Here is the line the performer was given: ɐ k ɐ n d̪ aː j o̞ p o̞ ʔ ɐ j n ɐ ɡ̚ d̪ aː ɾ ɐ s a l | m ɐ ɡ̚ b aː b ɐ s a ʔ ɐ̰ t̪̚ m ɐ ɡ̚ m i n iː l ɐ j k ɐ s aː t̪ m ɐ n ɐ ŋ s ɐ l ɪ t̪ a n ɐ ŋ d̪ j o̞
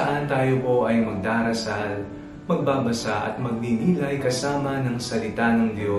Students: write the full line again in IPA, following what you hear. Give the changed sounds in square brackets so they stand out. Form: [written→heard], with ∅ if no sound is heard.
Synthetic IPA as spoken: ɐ [k→ʔ] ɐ n [d̪→t̪] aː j o̞ p o̞ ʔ ɐ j [n→m] ɐ ɡ̚ d̪ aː ɾ ɐ s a l | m ɐ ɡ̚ b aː b ɐ s a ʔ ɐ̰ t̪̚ m ɐ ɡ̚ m i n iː l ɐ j k ɐ s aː [t̪→∅] m ɐ n ɐ ŋ s ɐ l ɪ t̪ a n ɐ ŋ d̪ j o̞